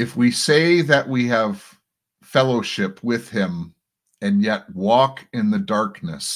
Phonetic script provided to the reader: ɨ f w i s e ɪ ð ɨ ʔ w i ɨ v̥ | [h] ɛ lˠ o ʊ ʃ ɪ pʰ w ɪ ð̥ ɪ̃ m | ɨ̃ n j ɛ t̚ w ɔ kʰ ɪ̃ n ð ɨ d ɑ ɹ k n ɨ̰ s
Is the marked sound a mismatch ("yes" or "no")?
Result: yes